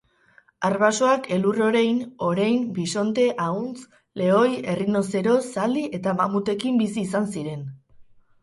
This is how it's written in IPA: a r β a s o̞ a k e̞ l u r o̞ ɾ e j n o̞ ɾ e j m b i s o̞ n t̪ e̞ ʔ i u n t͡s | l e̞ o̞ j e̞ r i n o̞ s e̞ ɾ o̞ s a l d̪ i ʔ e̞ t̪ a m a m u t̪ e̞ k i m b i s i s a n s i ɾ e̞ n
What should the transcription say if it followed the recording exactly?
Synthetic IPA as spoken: a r β a s o̞ a k e̞ l u r o̞ ɾ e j n o̞ ɾ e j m b i s o̞ n t̪ e̞ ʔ a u n t͡s | l e̞ o̞ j e̞ r i n o̞ s e̞ ɾ o̞ s a l d̪ i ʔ e̞ t̪ a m a m u t̪ e̞ k i m b i s iː s a n s i ɾ e̞ n